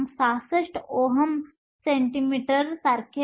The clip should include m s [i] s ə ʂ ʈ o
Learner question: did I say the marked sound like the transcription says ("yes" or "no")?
no